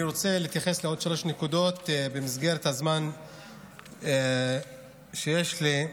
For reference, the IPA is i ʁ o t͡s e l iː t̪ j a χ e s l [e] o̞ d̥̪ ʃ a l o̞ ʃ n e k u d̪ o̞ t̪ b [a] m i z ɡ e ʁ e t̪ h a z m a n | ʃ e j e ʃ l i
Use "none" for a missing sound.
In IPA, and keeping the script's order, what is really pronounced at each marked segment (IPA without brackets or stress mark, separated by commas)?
e, e